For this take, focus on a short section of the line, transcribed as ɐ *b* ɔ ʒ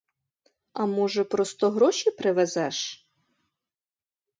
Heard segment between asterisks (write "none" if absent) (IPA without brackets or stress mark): m